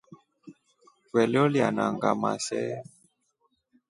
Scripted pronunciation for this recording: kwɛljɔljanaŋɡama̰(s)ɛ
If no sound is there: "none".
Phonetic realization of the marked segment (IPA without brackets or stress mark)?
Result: s